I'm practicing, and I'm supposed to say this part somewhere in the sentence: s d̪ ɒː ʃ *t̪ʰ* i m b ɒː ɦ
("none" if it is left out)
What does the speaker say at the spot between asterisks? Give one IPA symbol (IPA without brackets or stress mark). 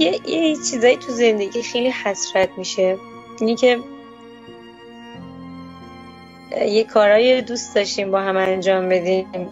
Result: t̪